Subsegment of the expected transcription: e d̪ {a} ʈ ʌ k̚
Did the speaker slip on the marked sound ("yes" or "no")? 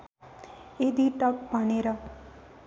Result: yes